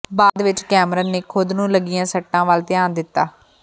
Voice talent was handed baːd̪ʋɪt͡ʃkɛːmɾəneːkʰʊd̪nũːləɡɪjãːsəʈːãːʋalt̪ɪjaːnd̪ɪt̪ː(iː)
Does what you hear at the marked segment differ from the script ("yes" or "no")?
yes